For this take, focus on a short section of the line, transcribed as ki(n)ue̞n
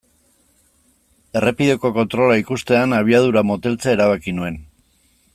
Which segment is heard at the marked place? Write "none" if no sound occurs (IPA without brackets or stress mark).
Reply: n